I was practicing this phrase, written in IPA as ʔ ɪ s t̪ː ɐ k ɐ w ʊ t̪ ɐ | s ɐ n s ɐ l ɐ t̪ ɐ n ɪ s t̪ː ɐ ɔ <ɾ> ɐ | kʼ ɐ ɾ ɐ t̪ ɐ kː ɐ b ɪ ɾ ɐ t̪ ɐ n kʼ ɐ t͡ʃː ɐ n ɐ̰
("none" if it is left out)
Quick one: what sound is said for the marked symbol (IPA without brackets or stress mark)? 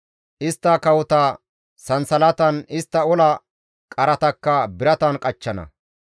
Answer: l